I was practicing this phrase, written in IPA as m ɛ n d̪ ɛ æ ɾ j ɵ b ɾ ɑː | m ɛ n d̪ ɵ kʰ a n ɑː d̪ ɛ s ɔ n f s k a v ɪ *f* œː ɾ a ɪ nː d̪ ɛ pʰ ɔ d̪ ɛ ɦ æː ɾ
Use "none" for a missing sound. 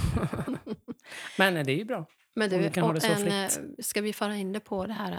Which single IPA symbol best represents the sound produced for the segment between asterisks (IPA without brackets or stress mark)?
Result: f